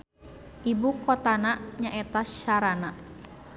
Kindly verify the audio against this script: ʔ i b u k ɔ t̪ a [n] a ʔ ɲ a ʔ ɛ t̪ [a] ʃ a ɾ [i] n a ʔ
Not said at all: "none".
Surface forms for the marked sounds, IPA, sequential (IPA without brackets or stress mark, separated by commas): n, a, a